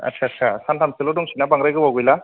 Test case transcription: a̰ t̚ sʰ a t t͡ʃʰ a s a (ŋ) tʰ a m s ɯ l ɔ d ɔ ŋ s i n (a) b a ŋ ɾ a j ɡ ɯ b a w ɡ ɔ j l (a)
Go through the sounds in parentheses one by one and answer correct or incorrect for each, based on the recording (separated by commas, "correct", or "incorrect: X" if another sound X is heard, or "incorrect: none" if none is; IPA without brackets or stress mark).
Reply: incorrect: n, correct, correct